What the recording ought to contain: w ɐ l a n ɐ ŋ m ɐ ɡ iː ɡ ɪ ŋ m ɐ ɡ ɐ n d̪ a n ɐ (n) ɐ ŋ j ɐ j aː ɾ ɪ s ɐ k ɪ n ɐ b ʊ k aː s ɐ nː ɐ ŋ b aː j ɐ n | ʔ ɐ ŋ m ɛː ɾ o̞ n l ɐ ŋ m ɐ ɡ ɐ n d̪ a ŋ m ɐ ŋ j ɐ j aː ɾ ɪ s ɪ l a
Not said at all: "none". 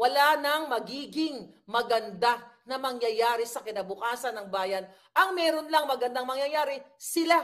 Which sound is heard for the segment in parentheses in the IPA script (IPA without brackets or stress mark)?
m